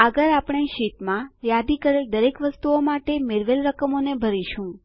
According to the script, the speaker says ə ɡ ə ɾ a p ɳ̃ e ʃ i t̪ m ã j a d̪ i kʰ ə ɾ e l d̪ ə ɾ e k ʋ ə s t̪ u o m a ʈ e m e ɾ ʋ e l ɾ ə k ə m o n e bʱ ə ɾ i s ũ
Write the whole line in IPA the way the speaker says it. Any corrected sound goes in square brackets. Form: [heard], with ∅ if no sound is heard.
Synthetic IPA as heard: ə ɡ ə ɾ a p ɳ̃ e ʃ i t̪ m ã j a d̪ i [k] ə ɾ e l d̪ ə ɾ e k ʋ ə s t̪ u o m a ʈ e m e ɾ ʋ e l ɾ ə k ə m o n e bʱ ə ɾ i [ʃ] ũ